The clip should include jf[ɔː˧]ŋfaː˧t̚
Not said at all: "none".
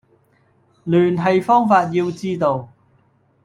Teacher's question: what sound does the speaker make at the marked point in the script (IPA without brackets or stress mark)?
ɔː˥